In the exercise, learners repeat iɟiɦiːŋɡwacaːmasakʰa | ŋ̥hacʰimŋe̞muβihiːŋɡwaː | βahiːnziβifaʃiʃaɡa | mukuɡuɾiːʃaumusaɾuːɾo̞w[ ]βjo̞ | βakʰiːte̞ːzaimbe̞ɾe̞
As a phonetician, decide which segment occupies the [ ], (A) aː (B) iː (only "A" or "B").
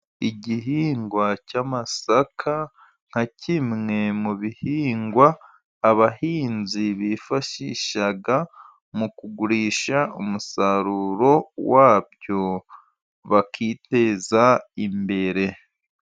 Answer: A